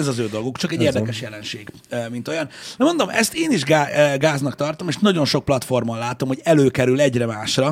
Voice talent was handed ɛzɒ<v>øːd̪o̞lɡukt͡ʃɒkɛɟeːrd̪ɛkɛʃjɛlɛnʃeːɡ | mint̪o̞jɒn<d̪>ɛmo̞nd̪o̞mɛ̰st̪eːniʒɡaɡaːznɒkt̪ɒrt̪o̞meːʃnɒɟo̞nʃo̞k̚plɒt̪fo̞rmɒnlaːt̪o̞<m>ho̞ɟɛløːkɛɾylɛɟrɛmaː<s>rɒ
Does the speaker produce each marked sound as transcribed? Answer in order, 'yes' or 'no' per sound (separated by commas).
no, yes, yes, no